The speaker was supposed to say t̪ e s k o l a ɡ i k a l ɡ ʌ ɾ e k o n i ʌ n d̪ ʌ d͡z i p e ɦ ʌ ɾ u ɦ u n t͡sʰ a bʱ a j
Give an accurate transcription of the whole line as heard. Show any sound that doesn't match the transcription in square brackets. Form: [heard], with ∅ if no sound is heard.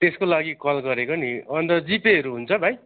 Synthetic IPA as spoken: t̪ e s k o l a ɡ i k [ʌ] l ɡ ʌ ɾ e k o n i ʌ n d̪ ʌ d͡z i p e ɦ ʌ ɾ u ɦ u n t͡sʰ [ʌ] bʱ a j